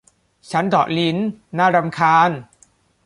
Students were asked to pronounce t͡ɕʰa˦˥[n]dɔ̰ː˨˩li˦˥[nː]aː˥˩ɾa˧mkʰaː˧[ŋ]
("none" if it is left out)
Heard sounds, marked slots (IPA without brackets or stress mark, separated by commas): n, nː, n